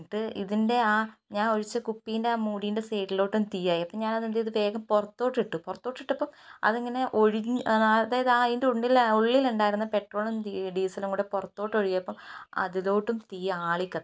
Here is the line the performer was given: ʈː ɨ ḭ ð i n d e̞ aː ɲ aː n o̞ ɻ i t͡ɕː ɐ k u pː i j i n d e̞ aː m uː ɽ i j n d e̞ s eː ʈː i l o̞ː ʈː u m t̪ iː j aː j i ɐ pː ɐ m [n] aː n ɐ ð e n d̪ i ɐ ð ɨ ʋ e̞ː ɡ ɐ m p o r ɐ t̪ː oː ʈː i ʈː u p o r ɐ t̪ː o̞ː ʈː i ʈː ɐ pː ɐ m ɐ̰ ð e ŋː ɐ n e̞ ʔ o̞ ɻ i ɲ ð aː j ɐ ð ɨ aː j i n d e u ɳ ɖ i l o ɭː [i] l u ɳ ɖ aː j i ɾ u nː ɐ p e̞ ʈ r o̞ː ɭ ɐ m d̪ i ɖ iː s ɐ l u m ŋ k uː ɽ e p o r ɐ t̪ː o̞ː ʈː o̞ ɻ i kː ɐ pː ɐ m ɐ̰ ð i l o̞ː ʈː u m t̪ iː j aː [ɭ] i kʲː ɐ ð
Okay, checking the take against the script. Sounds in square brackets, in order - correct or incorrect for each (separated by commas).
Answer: incorrect, correct, correct